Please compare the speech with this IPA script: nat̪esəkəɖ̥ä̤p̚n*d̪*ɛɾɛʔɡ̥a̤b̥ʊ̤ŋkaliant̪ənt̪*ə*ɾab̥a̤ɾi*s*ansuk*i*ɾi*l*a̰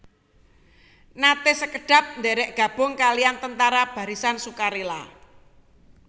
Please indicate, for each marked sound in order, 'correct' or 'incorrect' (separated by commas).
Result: correct, incorrect, correct, incorrect, correct